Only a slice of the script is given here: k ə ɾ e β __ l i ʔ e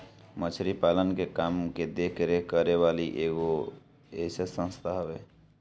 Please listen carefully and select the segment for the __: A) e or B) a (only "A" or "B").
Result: B